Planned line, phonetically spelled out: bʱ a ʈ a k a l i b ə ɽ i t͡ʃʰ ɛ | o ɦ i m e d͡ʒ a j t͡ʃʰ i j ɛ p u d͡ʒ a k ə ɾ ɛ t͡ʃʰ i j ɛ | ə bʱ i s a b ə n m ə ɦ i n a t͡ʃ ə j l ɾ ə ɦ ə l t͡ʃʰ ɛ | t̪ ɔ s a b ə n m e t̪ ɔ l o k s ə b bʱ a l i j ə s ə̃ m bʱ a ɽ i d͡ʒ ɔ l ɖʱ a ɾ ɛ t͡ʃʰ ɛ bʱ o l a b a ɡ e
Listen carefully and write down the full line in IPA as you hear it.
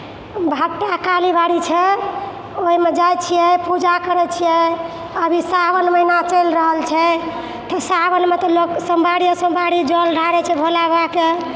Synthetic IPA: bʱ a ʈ a k a l i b a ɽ i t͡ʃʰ ɛ | o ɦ i m e d͡ʒ a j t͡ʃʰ i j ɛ p u d͡ʒ a k ə ɾ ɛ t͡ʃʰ i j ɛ | ə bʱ i s a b ə n m ə ɦ i n a t͡ʃ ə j l ɾ ə ɦ ə l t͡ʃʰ ɛ | t̪ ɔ s a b ə n m e t̪ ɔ l o k s ə m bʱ a ɽ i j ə s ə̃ m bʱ a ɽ i d͡ʒ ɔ l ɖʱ a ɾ ɛ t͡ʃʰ ɛ bʱ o l a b a k e